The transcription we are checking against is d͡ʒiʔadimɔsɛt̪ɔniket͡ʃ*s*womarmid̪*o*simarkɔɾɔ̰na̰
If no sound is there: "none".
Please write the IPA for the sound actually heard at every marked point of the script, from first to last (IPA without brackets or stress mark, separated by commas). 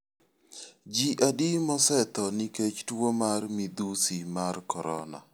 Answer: t, u